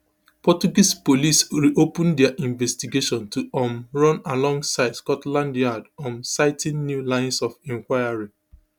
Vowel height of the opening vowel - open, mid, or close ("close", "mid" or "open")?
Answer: mid